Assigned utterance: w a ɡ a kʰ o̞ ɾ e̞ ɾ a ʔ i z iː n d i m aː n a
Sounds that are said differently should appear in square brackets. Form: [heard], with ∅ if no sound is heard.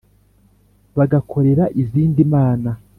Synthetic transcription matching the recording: [β] a ɡ a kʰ o̞ ɾ e̞ ɾ a ʔ i z iː n d i m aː n a